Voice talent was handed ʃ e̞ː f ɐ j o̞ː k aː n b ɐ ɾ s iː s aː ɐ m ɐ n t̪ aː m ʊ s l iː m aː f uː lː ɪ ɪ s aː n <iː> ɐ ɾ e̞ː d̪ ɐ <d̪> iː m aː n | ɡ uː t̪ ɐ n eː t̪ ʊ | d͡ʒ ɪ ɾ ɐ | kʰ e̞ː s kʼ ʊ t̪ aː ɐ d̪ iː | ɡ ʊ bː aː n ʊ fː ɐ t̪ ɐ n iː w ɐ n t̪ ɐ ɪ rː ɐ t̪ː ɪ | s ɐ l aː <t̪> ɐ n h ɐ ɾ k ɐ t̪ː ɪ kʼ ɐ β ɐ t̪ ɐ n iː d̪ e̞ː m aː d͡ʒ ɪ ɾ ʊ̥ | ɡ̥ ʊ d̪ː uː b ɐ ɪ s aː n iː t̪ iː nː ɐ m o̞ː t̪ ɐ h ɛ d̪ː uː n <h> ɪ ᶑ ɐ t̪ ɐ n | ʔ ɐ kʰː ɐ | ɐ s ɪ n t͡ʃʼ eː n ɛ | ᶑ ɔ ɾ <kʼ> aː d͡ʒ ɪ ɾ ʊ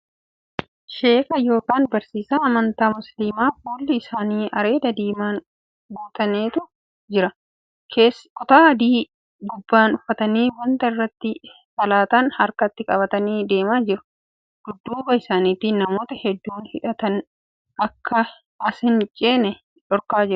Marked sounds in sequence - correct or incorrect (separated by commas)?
correct, correct, correct, correct, incorrect